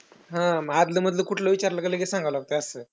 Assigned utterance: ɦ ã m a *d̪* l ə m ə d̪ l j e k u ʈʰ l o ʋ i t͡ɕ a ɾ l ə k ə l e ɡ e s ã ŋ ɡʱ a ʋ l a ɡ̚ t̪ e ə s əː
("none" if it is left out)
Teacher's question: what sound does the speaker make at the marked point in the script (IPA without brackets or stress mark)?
d̪